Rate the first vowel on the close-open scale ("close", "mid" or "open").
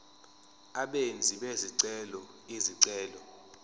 open